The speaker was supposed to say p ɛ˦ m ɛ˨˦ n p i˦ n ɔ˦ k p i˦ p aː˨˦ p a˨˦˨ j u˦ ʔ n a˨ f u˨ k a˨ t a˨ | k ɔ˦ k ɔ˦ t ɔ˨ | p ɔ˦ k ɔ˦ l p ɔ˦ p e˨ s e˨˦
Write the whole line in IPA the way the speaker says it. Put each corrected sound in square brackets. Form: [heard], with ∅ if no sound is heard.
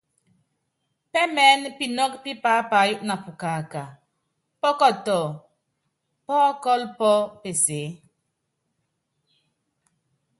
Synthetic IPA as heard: p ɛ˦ m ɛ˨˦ n p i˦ n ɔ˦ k p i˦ p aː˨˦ p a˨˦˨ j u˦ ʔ n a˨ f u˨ k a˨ [k] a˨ | [p] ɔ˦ k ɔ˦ t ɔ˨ | p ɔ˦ k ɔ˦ l p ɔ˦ p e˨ s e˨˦